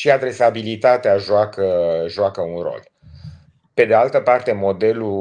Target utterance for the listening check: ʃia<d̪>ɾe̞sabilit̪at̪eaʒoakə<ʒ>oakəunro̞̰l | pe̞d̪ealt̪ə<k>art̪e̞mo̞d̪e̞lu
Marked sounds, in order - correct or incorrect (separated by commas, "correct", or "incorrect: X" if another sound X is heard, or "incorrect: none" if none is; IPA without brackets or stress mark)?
correct, correct, incorrect: p